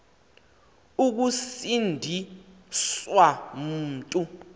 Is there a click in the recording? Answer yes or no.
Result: no